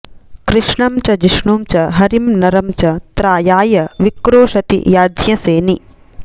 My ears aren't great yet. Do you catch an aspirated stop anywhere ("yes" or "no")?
no